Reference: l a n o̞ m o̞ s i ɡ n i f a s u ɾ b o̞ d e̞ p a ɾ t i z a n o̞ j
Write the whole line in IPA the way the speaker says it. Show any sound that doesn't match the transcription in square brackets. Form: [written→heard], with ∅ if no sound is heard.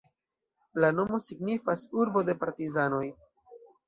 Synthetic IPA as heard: l a n o̞ m o̞ s i ɡ n i f a s u ɾ b o̞ d e̞ p a ɾ t i z a n o̞ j